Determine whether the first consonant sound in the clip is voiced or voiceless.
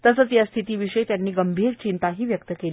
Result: voiceless